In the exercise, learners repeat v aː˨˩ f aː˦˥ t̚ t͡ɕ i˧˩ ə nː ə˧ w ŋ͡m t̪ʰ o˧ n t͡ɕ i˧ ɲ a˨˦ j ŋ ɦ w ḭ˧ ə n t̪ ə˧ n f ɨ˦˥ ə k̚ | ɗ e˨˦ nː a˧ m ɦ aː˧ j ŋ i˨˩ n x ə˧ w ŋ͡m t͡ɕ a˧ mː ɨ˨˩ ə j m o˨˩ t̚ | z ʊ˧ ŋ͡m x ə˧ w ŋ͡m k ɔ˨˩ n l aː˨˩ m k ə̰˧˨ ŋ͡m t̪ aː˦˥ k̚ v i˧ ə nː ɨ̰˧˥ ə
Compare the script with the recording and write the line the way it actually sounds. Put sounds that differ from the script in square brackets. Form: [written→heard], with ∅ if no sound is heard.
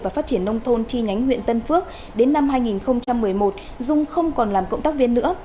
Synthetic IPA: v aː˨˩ f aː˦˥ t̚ t͡ɕ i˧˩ ə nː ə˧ w ŋ͡m t̪ʰ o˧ n t͡ɕ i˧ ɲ a˨˦ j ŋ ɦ w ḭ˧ ə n t̪ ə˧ n f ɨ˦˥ ə k̚ | ɗ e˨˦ nː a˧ m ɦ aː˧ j ŋ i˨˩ n x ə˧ w ŋ͡m t͡ɕ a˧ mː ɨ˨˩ ə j m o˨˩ t̚ | z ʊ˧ ŋ͡m x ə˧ w ŋ͡m k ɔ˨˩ n l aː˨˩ m k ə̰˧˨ ŋ͡m t̪ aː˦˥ k̚ v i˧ ə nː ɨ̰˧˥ ə